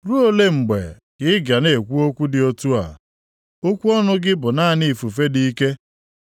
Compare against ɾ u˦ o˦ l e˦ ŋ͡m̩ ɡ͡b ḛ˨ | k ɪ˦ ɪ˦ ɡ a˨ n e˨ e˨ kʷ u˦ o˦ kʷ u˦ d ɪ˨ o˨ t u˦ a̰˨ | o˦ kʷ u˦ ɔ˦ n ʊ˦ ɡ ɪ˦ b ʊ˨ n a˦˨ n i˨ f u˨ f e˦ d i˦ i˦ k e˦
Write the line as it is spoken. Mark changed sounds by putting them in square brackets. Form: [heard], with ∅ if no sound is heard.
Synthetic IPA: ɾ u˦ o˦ l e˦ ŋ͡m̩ ɡ͡b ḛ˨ | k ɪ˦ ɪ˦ ɡ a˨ n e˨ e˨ kʷ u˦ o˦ kʷ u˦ d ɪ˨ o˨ t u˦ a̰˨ | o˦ kʷ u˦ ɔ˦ n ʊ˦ ɡ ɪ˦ b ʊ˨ n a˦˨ n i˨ f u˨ f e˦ d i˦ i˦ k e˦

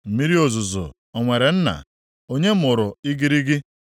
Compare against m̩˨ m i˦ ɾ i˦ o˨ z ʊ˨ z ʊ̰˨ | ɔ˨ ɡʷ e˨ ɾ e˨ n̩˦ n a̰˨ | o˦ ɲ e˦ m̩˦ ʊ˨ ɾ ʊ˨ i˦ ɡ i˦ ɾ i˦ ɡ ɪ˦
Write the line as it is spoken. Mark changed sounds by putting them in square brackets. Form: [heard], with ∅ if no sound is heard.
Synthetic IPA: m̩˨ m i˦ ɾ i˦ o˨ z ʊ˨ z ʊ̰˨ | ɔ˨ [ŋʷ] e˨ ɾ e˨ n̩˦ n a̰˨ | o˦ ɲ e˦ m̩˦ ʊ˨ ɾ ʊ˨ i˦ ɡ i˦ ɾ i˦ ɡ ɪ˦

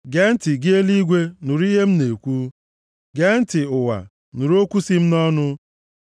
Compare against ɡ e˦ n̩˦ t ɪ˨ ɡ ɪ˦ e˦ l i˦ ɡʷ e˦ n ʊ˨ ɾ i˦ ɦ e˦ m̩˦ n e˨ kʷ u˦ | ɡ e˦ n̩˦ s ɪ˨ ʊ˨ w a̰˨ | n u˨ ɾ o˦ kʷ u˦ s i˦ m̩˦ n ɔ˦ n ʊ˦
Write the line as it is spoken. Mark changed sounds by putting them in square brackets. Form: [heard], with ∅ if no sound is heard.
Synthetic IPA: ɡ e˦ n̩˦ t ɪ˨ ɡ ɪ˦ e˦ l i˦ ɡʷ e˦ n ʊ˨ ɾ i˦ ɦ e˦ m̩˦ n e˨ kʷ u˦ | ɡ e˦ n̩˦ [t] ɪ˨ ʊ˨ w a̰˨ | n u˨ ɾ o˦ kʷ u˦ s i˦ m̩˦ n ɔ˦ n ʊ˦

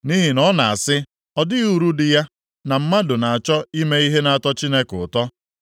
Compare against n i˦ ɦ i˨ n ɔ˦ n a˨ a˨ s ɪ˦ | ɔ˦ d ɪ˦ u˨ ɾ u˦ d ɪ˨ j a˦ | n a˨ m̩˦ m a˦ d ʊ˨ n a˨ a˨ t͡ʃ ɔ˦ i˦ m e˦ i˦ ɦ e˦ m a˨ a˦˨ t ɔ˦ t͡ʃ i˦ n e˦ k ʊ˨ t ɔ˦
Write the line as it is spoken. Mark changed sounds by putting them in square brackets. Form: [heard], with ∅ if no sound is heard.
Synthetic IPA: n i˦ ɦ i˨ n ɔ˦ n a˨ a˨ s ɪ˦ | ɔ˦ d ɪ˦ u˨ ɾ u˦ d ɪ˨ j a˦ | n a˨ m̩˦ m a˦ d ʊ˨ n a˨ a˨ t͡ʃ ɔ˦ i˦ m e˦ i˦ ɦ e˦ [n] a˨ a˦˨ t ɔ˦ t͡ʃ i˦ n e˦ k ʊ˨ t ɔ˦

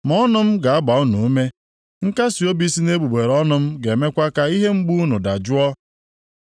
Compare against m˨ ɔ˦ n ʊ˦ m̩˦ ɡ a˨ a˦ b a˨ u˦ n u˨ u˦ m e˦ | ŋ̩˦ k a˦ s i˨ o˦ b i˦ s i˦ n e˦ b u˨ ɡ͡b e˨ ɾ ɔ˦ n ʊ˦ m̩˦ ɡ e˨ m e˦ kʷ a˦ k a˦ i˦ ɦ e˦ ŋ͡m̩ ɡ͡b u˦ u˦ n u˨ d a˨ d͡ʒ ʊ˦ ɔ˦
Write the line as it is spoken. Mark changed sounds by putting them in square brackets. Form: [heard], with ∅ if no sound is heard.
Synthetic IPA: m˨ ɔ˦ n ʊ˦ m̩˦ ɡ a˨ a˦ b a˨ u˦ n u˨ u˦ m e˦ | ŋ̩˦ k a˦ s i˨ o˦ b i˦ s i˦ n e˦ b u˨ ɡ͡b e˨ ɾ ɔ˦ n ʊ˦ m̩˦ ɡ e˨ m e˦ kʷ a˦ k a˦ i˦ ɦ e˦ ŋ͡m̩ ɡ͡b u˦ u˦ n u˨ d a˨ d͡ʒ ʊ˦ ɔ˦

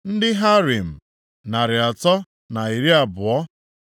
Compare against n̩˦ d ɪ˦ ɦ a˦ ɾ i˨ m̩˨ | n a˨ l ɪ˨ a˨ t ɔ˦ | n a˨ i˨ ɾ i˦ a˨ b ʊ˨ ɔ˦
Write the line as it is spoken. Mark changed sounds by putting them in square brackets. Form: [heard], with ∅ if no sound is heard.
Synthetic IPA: n̩˦ d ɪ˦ ɦ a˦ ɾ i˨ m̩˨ | n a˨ [ɾ] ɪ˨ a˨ t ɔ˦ | n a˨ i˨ ɾ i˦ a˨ b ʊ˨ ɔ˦

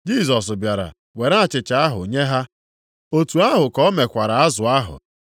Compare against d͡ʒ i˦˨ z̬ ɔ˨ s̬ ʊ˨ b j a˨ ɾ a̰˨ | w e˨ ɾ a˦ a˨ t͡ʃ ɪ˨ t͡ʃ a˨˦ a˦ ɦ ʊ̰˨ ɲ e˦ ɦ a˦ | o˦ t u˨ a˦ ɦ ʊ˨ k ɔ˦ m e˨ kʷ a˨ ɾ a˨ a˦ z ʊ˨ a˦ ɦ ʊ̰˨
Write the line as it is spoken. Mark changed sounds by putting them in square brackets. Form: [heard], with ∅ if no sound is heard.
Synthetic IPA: d͡ʒ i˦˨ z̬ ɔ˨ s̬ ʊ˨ b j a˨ ɾ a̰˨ | w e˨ ɾ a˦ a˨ t͡ʃ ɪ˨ t͡ʃ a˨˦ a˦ ɦ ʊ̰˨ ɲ e˦ ɦ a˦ | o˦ t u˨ a˦ ɦ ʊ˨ k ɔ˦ m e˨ kʷ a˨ ɾ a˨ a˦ z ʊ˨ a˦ ɦ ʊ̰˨

